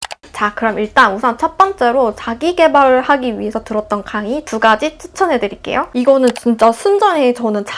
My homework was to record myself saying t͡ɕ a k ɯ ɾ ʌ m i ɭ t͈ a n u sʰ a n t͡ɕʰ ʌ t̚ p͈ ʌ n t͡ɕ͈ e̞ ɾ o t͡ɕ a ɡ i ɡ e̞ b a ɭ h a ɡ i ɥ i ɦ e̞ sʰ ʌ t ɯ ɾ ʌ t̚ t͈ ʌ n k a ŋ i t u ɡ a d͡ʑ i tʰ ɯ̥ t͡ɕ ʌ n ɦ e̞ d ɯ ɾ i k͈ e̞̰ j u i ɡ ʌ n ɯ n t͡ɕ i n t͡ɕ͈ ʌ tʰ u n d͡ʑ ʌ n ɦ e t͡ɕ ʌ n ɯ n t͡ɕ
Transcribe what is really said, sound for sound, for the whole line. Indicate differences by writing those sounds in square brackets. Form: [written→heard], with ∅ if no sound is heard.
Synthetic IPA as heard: t͡ɕ a k ɯ ɾ ʌ m i ɭ t͈ a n u sʰ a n t͡ɕʰ ʌ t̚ p͈ ʌ n t͡ɕ͈ e̞ ɾ o t͡ɕ a ɡ i ɡ e̞ b a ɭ h a ɡ i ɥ i ɦ e̞ sʰ ʌ t ɯ ɾ ʌ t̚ t͈ ʌ n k a ŋ i t u ɡ a d͡ʑ i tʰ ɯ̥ [t͡ɕ→t͡ɕʰ] ʌ n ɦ e̞ d ɯ ɾ i k͈ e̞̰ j [u→o] i ɡ ʌ n ɯ n t͡ɕ i n t͡ɕ͈ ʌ [tʰ→sʰ] u n d͡ʑ ʌ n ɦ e t͡ɕ ʌ n ɯ n t͡ɕ